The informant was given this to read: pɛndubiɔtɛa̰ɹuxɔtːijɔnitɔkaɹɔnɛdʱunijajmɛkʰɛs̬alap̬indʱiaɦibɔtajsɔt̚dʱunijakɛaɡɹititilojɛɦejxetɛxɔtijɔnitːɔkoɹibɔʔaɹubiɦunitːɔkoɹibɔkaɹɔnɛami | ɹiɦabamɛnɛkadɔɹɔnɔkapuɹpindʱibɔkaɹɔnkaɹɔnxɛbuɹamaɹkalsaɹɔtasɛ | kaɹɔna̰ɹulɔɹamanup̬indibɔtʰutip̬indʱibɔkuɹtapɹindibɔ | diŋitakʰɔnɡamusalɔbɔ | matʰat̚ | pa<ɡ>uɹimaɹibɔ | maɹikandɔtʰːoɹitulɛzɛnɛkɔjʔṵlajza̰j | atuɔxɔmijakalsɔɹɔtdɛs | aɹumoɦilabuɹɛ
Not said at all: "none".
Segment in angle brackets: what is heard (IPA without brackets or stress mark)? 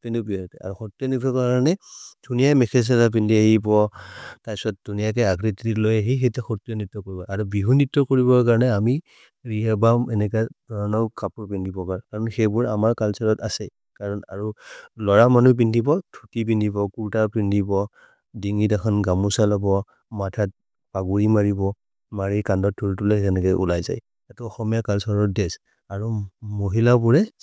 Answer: ɡ